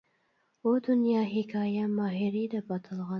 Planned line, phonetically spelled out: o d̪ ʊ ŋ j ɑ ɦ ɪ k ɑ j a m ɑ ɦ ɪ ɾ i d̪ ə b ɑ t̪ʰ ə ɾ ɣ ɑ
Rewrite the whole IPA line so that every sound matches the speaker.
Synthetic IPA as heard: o d̪ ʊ n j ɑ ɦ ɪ k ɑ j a m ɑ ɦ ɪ ɾ i d̪ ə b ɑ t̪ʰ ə l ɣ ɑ